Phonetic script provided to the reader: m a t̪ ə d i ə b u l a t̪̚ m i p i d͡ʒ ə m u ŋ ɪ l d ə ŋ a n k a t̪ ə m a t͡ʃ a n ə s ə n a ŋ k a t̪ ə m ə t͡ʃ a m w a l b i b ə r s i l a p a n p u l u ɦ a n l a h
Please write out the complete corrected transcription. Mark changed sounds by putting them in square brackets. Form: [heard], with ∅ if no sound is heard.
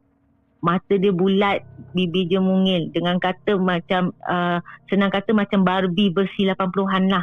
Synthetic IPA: m a t̪ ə d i ə b u l a t̪̚ [b] i [b] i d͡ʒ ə m u ŋ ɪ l d ə ŋ a n k a t̪ ə m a t͡ʃ a [m] ə s ə n a ŋ k a t̪ ə m [a] t͡ʃ a m [b] a [r] b i b ə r s i l a p a n p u l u ɦ a n l a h